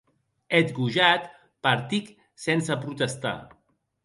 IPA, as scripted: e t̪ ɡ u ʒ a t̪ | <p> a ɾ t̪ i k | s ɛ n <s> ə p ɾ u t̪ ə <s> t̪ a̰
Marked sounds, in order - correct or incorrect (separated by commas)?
correct, correct, correct